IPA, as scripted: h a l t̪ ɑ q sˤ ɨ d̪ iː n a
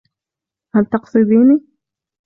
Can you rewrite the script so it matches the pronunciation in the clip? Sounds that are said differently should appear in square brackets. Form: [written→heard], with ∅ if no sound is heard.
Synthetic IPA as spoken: h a l t̪ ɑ q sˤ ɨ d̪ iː n [a→i]